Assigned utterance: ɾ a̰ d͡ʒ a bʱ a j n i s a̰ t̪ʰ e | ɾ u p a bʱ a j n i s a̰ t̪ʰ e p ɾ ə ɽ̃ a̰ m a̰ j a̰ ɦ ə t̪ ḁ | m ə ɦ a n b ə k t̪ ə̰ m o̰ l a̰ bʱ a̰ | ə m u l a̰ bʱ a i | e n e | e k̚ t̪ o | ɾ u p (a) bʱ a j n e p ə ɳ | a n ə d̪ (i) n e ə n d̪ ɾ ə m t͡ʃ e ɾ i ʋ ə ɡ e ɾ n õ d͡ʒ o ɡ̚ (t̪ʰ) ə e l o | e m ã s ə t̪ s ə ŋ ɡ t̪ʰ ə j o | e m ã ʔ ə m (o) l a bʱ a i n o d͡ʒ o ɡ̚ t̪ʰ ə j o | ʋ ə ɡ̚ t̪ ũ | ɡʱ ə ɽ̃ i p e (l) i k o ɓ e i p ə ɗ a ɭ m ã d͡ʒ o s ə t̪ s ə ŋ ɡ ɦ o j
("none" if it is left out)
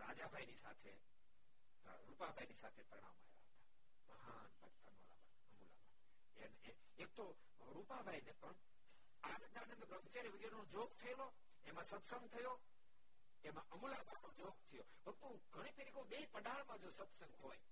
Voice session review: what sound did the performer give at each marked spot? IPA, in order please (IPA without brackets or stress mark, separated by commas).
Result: a, a, t̪ʰ, u, ɾ